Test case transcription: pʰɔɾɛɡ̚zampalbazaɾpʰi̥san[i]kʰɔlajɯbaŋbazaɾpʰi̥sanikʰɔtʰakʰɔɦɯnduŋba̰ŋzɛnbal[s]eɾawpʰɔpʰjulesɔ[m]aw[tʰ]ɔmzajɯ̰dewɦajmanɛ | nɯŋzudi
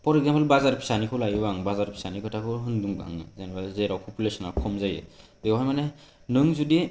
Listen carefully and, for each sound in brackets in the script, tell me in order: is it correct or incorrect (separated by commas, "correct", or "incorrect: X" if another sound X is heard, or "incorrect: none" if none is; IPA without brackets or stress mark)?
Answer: correct, incorrect: z, incorrect: n, incorrect: kʰ